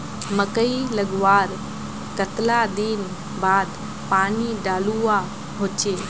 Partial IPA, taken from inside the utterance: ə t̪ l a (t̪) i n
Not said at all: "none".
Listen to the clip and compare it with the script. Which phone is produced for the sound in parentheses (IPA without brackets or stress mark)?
d̪